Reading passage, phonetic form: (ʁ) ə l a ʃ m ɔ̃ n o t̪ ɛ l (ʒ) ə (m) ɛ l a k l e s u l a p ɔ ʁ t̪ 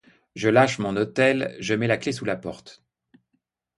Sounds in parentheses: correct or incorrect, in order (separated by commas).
incorrect, correct, correct